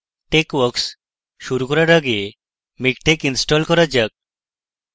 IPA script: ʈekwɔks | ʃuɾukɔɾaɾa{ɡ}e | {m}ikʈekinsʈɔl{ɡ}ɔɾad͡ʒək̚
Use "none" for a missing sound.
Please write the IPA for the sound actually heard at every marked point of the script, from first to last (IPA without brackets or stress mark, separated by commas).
ɡ, m, k